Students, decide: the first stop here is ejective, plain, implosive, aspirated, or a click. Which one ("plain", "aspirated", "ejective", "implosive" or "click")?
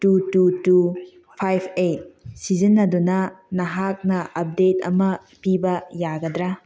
plain